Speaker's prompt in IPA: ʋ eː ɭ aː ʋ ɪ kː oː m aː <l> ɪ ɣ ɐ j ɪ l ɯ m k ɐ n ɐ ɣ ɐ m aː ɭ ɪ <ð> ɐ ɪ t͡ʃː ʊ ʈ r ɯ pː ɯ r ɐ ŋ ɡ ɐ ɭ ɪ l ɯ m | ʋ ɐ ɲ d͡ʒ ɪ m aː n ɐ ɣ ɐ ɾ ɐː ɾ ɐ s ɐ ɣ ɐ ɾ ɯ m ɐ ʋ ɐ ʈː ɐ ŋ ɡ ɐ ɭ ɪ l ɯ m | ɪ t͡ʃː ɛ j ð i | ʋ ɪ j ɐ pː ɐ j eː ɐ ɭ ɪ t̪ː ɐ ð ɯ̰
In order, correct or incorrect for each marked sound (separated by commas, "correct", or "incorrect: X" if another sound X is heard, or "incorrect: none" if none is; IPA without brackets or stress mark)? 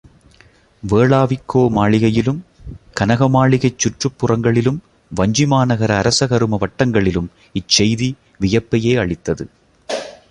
incorrect: ɭ, incorrect: ɣ